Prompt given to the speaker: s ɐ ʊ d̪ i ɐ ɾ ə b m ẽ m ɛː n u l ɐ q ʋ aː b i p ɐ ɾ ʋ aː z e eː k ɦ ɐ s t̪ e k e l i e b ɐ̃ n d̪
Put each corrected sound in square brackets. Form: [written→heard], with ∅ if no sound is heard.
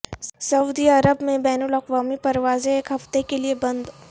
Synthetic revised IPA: s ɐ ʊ d̪ i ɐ ɾ ə b m ẽ [m→b] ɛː n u l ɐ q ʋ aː [b→m] i p ɐ ɾ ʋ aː z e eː k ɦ ɐ [s→f] t̪ e k e l i e b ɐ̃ n d̪